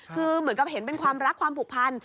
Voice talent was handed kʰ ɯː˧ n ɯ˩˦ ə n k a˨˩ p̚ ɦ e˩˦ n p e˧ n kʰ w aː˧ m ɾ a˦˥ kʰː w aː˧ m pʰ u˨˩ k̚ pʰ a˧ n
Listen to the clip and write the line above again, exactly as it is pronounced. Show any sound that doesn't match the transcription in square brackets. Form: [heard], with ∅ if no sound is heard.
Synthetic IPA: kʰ ɯː˧ [m] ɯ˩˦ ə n k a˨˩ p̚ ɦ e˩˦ n p e˧ n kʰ w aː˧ m ɾ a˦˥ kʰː w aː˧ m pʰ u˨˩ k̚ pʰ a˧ n